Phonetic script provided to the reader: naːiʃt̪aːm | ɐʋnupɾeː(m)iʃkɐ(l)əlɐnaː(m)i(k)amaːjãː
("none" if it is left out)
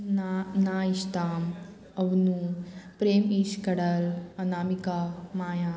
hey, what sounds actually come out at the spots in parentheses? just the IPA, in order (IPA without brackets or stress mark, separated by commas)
m, ɽ, m, k